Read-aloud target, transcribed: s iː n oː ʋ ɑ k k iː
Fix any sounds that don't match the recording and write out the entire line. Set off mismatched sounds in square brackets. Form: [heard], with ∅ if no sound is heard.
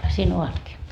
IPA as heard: s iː n [o] ʋ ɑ [t] k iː